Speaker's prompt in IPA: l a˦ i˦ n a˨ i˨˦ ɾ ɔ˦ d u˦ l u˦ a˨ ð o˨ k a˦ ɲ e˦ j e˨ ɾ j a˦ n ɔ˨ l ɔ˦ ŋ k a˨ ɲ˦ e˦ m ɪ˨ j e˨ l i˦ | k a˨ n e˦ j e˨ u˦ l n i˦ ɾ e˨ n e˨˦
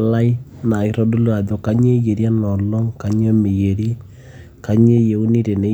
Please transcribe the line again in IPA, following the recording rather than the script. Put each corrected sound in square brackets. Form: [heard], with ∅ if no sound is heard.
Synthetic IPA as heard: l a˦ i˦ n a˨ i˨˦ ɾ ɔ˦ d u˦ l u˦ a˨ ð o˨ k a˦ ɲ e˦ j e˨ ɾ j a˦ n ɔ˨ l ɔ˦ ŋ k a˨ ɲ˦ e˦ m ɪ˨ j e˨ [ɾ] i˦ | k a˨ [ɲ] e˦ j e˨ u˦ [∅] n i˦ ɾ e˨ n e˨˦